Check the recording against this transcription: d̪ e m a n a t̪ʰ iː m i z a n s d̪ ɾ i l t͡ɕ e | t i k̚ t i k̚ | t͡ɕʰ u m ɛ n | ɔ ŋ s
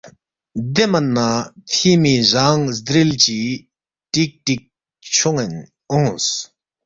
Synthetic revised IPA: d̪ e m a n a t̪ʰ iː m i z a ŋ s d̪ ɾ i l t͡ɕ i | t i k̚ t i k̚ | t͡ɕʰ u ŋ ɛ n | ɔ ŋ s